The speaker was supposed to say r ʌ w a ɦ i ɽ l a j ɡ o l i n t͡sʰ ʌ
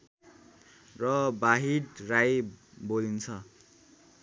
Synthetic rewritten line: r ʌ b a ɦ i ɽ r a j b o l i n t͡sʰ ʌ